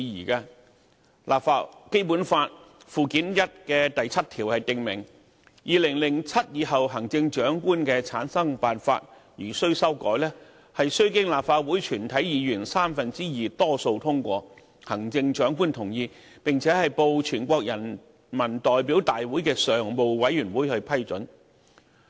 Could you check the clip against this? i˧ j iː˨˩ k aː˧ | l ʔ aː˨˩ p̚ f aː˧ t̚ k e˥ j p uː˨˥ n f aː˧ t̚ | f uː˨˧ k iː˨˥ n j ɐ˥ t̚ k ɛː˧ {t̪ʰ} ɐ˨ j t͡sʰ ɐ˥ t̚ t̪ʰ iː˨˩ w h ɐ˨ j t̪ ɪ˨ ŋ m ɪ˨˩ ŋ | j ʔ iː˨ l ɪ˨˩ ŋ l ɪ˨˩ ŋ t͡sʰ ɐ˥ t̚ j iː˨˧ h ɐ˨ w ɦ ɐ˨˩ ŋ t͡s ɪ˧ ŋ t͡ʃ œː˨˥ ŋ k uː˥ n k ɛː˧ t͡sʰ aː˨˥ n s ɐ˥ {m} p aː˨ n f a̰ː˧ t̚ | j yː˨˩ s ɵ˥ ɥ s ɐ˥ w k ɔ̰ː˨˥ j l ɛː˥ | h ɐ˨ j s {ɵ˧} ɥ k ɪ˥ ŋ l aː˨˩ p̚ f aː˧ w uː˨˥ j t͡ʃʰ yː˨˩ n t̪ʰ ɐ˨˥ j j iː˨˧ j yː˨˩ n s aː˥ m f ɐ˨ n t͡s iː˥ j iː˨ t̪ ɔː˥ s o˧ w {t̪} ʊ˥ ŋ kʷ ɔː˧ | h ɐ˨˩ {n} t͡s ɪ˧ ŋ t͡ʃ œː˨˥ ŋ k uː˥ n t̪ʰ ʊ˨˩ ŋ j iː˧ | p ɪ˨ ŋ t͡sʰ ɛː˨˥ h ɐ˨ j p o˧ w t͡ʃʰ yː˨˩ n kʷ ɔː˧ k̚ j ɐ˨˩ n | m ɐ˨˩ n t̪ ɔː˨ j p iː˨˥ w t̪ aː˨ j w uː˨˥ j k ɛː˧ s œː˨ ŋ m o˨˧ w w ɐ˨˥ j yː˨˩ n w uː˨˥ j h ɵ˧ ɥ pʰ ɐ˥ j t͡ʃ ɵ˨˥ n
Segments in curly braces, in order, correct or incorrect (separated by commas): incorrect, incorrect, incorrect, incorrect, incorrect